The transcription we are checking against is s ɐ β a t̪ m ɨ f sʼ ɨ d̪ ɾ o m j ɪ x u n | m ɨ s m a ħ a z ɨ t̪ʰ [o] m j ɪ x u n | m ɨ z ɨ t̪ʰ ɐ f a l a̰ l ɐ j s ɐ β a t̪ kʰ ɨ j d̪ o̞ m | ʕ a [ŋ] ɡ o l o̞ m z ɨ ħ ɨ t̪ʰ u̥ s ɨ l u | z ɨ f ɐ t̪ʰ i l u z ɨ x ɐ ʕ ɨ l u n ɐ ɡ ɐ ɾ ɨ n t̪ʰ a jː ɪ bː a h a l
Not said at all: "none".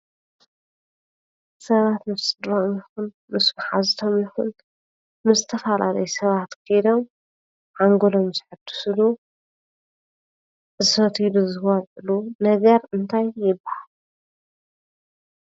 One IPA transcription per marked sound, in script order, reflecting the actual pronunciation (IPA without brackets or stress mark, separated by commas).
o, ŋ